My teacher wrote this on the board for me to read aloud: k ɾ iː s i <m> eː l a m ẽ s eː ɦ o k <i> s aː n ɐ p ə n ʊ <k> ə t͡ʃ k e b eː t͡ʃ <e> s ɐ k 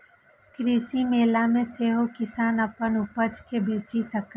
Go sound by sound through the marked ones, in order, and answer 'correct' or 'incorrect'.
correct, incorrect, incorrect, incorrect

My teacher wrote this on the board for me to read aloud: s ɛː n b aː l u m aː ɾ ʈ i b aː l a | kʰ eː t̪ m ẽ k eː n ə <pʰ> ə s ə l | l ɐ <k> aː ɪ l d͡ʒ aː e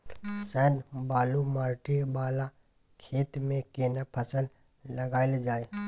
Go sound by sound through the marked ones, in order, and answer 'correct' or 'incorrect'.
correct, incorrect

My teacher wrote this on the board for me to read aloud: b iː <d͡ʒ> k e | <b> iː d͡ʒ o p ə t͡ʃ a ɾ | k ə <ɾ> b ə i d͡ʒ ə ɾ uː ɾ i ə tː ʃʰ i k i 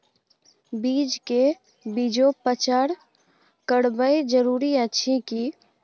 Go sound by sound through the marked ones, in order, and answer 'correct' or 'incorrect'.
correct, correct, incorrect

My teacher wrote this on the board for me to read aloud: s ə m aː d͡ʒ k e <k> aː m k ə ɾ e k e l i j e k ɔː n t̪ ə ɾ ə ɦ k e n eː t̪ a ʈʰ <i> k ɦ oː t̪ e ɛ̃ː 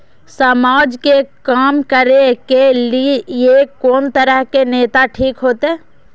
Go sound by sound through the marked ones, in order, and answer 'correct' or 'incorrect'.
correct, incorrect

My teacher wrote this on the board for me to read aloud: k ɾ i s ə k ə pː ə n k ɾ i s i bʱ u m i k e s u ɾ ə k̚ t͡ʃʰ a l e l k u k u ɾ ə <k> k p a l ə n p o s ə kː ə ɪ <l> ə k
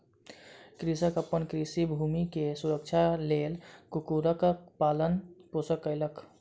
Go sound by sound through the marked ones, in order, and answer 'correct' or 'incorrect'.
correct, correct

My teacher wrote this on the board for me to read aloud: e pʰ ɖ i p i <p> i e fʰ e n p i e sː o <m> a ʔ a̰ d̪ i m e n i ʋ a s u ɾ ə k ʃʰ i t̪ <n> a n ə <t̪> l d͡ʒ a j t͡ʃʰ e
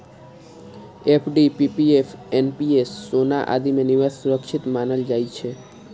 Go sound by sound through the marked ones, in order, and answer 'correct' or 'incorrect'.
correct, incorrect, incorrect, incorrect

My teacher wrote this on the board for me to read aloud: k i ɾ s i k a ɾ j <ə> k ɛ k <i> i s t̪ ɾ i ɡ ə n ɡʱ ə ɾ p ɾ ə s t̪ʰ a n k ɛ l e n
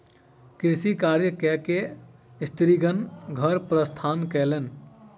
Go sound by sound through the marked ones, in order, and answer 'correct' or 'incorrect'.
correct, incorrect

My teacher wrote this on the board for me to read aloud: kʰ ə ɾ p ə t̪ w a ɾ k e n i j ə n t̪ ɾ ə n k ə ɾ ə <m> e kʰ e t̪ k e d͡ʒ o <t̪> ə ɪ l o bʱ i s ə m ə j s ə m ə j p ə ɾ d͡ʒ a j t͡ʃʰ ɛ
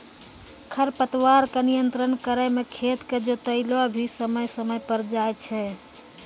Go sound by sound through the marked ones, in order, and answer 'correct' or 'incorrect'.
correct, correct

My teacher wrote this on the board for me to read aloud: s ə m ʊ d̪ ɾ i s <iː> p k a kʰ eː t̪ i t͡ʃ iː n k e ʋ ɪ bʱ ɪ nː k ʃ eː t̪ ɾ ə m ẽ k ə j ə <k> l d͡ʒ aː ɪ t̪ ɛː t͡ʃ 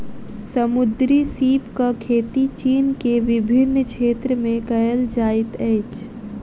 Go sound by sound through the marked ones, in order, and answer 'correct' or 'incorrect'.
correct, incorrect

